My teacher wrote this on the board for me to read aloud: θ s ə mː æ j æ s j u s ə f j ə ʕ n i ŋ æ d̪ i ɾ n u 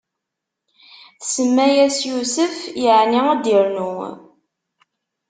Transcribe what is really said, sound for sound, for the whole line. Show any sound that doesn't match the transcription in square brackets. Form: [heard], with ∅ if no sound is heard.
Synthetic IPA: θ s ə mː æ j æ s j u s ə f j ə ʕ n i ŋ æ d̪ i ɾ n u